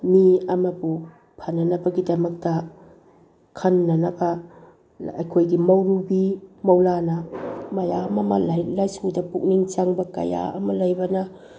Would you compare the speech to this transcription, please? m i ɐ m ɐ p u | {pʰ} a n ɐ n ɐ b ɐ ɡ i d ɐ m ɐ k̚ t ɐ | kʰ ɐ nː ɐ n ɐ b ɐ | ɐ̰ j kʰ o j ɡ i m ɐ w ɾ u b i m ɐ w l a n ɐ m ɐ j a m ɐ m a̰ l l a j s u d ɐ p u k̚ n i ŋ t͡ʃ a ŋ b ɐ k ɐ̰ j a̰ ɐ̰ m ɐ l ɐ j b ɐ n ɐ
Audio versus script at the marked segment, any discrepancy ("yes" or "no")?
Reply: no